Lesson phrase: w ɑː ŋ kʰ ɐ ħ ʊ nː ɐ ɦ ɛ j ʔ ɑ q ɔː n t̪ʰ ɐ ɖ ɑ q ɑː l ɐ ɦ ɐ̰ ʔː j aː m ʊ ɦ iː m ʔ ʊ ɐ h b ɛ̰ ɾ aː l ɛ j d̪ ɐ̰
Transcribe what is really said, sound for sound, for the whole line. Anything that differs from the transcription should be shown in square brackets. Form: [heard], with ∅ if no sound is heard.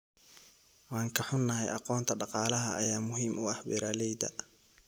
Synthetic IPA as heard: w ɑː ŋ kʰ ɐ ħ ʊ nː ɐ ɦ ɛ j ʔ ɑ q ɔː n t̪ʰ ɐ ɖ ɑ q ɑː l ɐ ɦ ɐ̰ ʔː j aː m ʊ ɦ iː m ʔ ʊ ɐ h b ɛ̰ ɾ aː l ɛ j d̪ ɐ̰